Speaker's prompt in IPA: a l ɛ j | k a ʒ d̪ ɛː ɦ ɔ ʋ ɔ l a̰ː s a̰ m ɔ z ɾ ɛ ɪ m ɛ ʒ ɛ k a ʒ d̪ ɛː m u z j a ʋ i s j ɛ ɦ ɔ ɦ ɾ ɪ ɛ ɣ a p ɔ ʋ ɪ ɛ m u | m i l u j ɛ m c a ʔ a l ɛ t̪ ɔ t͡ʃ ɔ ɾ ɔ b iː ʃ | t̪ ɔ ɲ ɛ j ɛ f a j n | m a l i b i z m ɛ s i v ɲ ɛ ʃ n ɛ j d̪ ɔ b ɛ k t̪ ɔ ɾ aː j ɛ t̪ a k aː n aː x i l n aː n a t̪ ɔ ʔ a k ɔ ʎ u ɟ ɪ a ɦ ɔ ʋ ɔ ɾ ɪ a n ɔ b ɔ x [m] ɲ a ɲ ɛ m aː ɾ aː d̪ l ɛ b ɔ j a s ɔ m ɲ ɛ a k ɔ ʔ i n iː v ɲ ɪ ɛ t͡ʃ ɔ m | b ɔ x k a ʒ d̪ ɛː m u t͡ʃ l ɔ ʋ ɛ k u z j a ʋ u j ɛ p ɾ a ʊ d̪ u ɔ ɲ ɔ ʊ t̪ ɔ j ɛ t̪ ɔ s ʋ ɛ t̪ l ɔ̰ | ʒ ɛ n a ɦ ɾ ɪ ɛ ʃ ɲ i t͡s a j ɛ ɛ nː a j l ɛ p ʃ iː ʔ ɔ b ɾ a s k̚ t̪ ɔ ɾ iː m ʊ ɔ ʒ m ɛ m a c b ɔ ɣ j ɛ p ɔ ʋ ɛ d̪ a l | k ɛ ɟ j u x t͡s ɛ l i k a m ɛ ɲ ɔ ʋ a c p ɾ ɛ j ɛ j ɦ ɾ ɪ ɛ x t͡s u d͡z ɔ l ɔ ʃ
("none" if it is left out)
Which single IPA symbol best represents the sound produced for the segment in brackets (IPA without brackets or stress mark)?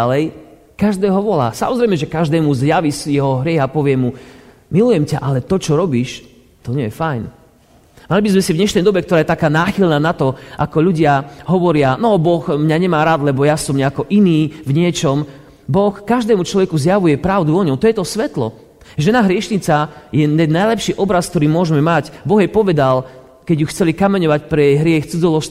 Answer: m